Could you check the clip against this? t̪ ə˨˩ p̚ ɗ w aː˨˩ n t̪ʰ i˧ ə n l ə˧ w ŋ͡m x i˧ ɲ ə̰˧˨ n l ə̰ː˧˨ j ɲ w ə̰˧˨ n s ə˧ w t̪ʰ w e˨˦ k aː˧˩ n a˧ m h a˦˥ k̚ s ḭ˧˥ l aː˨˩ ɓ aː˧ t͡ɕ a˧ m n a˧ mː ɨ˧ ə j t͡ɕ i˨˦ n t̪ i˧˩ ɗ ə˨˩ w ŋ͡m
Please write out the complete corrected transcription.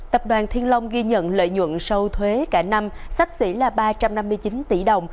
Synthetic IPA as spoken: t̪ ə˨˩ p̚ ɗ w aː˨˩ n t̪ʰ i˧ ə n l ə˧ w ŋ͡m ɣ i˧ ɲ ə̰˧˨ n l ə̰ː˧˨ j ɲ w ə̰˧˨ n s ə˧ w t̪ʰ w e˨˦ k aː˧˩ n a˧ m s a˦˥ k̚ s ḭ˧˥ l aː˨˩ ɓ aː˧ t͡ɕ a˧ m n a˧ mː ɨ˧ ə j t͡ɕ i˨˦ n t̪ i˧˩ ɗ ə˨˩ w ŋ͡m